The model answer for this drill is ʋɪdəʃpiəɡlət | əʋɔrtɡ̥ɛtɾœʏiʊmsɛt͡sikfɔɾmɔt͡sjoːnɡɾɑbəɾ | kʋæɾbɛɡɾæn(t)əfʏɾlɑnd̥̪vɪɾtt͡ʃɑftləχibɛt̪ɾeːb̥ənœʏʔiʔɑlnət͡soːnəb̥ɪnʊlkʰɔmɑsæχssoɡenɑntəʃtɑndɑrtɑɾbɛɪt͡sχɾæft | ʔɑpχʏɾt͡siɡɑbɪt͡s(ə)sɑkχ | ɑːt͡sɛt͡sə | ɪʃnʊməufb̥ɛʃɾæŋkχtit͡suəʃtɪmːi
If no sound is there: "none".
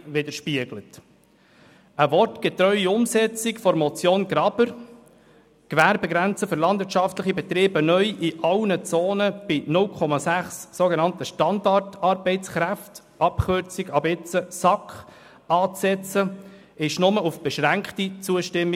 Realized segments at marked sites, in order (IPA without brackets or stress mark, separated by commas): t͡s, ə